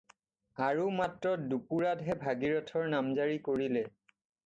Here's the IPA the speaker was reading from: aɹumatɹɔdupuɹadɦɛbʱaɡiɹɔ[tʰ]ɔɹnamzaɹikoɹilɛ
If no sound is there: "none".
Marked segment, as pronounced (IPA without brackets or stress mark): tʰ